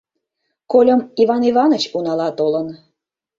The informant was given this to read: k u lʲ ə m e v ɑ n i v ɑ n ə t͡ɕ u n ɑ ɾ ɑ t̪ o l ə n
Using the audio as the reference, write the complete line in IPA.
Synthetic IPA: k o lʲ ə m i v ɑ n i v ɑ n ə t͡ɕ u n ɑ l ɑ t̪ o l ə n

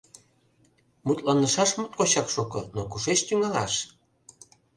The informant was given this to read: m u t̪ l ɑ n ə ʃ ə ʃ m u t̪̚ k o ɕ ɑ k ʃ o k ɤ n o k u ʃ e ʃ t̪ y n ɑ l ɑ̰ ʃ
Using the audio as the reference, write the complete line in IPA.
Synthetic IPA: m u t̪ l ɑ n ə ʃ ɑ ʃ m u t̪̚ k o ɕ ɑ k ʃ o k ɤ n o k u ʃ e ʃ t̪ y ŋ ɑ l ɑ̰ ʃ

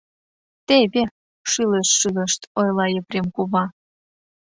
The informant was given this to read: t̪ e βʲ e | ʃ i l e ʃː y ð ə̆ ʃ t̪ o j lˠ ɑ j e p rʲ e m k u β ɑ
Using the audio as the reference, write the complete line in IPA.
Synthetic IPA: t̪ e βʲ e | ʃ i l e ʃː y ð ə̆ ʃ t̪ o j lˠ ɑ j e p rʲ e m k u β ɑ

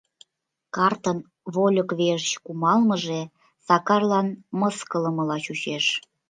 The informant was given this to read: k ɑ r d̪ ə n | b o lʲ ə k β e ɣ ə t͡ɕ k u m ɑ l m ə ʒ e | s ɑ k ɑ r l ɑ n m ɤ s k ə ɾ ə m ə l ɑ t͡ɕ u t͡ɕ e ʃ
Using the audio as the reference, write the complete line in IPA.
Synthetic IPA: k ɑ r t̪ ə n | β o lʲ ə k β e ʒ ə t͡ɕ k u m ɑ l m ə ʒ e | s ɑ k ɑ r l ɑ n m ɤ s k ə l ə m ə l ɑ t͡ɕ u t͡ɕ e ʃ

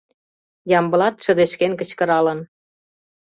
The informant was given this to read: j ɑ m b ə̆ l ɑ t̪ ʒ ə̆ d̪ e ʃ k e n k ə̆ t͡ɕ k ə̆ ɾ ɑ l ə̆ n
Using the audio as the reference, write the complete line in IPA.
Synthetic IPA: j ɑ m b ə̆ l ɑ t̪ ʃ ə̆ d̪ e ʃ k e n k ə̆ t͡ɕ k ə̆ ɾ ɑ l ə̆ n

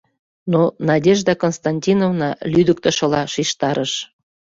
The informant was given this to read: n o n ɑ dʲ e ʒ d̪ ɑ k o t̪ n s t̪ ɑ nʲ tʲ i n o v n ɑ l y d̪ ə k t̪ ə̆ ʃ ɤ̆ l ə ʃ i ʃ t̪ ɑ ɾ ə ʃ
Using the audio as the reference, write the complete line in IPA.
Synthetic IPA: n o n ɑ dʲ e ʒ d̪ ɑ k o n s t̪ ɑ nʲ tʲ i n o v n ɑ l y d̪ ə k t̪ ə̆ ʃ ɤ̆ l ɑ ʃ i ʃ t̪ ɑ ɾ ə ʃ

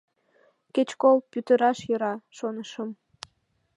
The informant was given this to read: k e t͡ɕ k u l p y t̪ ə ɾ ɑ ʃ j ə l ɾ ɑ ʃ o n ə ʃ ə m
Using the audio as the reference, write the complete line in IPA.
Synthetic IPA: k e t͡ɕ k o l p y t̪ ə ɾ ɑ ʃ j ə ɾ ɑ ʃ o n ə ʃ ə m

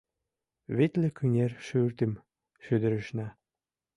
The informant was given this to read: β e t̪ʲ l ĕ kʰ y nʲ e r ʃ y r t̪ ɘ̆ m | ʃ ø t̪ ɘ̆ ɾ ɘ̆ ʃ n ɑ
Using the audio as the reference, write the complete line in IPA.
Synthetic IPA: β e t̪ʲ l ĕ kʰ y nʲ e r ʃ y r t̪ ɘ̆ m | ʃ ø d̪ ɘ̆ ɾ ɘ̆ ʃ n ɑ

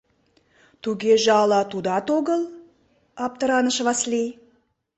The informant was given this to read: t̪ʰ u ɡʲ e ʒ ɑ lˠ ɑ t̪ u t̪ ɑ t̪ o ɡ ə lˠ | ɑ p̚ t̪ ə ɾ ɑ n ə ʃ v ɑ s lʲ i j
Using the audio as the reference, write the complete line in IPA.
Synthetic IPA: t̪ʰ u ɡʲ e ʒ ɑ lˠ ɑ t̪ u d̪ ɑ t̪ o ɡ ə lˠ | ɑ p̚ t̪ ə ɾ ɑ n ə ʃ v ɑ s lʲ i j

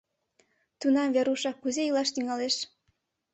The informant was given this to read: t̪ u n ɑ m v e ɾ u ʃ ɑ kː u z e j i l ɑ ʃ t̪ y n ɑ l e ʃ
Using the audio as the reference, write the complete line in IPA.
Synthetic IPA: t̪ u n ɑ m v e ɾ u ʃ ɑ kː u z e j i l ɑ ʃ t̪ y ŋ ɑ l e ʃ

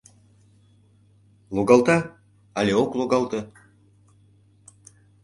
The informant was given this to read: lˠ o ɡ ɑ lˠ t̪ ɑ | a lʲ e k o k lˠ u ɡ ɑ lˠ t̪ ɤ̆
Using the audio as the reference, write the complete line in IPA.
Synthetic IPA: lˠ o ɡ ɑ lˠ t̪ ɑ | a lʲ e o k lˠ o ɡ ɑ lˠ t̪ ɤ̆

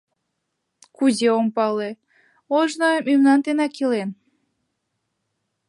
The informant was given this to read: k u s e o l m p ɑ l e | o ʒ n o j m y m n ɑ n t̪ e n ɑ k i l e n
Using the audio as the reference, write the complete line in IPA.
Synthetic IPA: k u z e o m p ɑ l e | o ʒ n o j m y m n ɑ n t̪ e n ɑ k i l e n

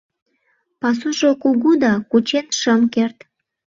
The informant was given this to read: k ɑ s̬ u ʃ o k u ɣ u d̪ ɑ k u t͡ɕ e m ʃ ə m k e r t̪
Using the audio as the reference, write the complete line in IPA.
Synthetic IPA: p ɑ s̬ u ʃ o k u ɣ u d̪ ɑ k u t͡ɕ e n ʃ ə m k e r t̪

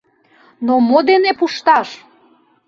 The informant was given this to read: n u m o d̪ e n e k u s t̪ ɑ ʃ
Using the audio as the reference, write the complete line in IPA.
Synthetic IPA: n o m o d̪ e n e p u ʃ t̪ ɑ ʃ

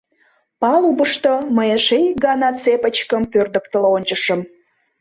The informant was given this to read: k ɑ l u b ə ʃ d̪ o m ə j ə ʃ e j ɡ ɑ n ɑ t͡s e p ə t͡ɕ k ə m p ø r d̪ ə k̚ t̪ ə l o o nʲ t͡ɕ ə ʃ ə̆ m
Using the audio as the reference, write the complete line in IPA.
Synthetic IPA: p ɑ l u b ə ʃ t̪ o m ə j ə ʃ e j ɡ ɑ n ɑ t͡s e p ə t͡ɕ k ə m p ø r d̪ ə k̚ t̪ ə l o o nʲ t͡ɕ ə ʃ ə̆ m

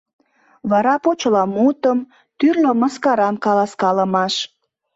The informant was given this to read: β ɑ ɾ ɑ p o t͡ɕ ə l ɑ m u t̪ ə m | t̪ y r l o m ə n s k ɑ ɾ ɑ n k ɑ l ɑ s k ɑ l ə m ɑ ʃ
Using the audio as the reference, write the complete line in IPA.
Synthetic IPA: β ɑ ɾ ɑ p o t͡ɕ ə l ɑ m u t̪ ə m | t̪ y r l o m ə s k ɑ ɾ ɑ n k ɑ l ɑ s k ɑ l ə m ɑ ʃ

